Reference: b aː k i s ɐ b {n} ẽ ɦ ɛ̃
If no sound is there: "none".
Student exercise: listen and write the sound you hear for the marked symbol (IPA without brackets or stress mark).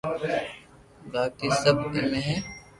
m